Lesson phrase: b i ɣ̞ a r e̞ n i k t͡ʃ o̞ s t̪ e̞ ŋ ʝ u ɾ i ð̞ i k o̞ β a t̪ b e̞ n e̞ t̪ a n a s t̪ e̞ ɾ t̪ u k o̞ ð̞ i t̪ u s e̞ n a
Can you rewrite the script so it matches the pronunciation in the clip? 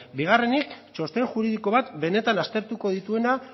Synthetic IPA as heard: b i ɣ̞ a r e̞ n i k t͡ʃ o̞ s t̪ e̞ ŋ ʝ u ɾ i ð̞ i k o̞ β a t̪ b e̞ n e̞ t̪ a n a s t̪ e̞ ɾ t̪ u k o̞ ð̞ i t̪ u e̞ n a